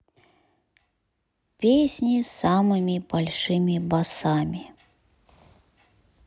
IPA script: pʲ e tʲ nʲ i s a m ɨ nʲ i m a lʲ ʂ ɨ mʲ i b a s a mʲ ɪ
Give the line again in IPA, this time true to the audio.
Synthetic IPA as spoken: pʲ e sʲ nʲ i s a m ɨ mʲ i b a lʲ ʂ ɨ mʲ i b a s a mʲ i